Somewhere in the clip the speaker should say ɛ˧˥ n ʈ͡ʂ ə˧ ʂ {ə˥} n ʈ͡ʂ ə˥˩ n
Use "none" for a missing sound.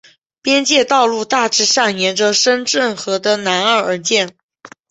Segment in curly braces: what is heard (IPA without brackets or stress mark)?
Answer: ə˥